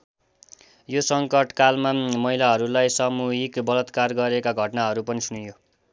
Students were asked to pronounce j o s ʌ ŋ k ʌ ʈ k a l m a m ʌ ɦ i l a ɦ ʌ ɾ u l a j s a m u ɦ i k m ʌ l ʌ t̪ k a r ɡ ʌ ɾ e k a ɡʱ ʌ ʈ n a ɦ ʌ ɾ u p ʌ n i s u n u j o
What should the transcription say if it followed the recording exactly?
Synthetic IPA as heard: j o s ʌ ŋ k ʌ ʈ k a l m a m ʌ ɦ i l a ɦ ʌ ɾ u l a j s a m u ɦ i k b ʌ l ʌ t̪ k a r ɡ ʌ ɾ e k a ɡʱ ʌ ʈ n a ɦ ʌ ɾ u p ʌ n i s u n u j o